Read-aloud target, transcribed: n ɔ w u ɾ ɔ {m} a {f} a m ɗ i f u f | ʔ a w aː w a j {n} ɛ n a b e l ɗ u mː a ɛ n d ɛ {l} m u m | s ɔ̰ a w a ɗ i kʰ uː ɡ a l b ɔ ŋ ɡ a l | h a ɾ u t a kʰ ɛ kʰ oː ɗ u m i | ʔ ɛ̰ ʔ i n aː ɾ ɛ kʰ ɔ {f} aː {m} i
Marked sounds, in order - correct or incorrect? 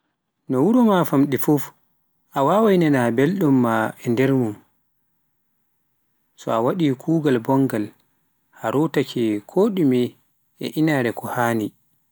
correct, correct, correct, incorrect, incorrect, incorrect

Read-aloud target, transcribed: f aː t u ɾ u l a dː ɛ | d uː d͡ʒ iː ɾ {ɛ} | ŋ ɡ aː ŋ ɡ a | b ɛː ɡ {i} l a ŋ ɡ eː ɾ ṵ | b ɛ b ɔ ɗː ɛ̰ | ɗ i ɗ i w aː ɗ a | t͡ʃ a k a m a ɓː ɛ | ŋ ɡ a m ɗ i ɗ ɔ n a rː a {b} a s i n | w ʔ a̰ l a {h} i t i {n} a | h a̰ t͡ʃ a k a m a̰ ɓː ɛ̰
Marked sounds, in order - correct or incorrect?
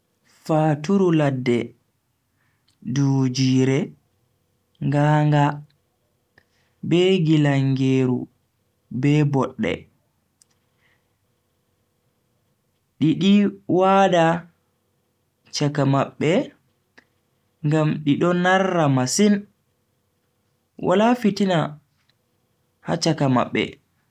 correct, correct, incorrect, incorrect, correct

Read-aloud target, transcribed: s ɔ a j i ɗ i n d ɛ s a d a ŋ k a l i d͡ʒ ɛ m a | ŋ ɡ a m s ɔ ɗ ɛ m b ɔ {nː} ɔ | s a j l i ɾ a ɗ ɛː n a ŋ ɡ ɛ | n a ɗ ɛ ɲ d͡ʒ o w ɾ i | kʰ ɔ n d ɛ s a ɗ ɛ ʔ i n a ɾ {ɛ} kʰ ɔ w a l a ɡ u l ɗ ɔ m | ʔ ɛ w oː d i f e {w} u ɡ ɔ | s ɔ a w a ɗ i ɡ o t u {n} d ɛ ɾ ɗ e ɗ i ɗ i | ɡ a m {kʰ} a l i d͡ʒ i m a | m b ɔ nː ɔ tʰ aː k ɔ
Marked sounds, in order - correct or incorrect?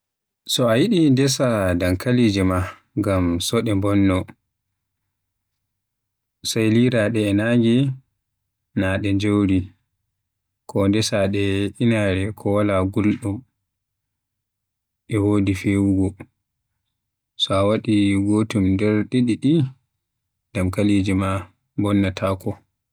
correct, correct, correct, incorrect, incorrect

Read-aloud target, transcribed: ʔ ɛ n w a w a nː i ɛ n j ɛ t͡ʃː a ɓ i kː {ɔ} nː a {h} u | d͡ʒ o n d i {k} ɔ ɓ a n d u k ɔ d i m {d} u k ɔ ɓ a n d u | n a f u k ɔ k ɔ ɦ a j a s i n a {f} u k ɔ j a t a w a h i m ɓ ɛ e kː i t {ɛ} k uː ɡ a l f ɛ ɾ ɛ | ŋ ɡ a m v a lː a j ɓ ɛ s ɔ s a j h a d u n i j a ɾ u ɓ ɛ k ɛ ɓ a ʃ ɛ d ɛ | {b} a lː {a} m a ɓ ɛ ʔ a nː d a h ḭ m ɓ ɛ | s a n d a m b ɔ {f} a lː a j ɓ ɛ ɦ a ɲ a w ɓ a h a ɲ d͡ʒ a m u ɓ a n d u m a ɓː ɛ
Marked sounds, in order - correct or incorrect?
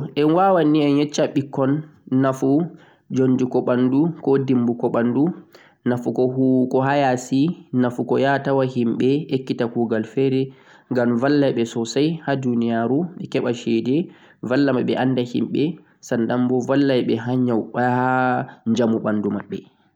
correct, incorrect, correct, incorrect, correct, incorrect, incorrect, correct, incorrect

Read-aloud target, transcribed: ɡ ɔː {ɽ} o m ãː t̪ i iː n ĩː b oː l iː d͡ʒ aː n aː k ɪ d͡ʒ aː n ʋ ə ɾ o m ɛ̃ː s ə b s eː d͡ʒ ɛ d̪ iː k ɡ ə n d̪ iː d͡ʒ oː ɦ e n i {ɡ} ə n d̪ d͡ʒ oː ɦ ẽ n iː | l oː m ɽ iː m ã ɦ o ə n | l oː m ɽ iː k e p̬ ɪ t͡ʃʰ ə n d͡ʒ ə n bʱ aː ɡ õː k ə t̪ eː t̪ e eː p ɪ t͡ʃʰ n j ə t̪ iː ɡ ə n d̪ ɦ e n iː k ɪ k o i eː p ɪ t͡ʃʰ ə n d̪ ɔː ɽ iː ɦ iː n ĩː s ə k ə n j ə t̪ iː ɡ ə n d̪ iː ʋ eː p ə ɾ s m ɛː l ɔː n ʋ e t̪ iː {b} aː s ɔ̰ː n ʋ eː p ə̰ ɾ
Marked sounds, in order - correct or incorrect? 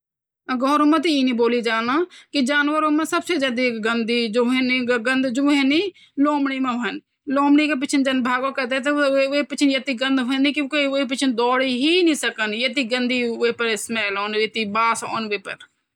incorrect, correct, correct

